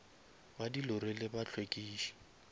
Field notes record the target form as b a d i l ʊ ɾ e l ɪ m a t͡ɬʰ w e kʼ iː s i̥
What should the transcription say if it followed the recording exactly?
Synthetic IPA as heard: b a d i l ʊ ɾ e l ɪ b a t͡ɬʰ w e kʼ iː ʃ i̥

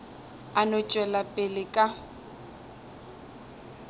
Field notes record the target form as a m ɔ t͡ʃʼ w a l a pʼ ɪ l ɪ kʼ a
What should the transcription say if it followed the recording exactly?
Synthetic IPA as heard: a n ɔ t͡ʃʼ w ɛ l a pʼ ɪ l ɪ kʼ a

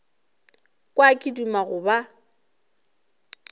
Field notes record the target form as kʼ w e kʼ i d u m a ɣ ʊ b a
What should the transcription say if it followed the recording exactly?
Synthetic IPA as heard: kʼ w a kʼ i d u m a ɣ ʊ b a

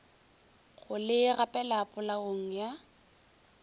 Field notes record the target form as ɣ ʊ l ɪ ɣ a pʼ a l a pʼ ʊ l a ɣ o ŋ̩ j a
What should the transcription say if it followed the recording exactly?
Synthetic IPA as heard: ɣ ʊ l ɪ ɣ a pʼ ɛ l a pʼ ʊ l a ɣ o ŋ̩ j a

